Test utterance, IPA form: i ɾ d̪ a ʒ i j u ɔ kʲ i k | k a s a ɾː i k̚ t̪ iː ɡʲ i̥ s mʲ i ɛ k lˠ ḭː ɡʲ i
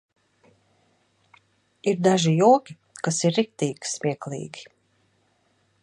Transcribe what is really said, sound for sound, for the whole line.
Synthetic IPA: i ɾ d̪ a ʒ i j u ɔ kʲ i | k a s i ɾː i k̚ t̪ iː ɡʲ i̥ s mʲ i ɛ k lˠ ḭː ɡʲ i